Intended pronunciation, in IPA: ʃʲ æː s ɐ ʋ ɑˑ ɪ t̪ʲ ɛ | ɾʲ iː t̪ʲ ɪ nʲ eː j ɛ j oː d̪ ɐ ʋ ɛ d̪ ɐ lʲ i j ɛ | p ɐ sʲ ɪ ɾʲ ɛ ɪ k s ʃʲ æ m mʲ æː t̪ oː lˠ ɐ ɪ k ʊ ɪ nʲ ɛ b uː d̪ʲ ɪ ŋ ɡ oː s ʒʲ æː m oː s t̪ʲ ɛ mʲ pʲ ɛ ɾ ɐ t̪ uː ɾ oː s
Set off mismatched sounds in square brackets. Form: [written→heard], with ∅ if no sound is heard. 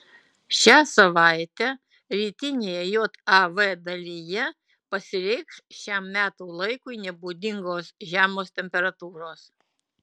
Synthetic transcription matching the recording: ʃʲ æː s ɐ ʋ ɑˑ ɪ t̪ʲ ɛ | ɾʲ iː t̪ʲ ɪ nʲ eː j ɛ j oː [d̪→t̪] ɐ ʋ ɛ d̪ ɐ lʲ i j ɛ | p ɐ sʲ ɪ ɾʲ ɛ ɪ k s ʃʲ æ m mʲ æː t̪ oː lˠ ɐ ɪ k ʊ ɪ nʲ ɛ b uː d̪ʲ ɪ ŋ ɡ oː s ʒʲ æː m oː s t̪ʲ ɛ mʲ pʲ ɛ ɾ ɐ t̪ uː ɾ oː s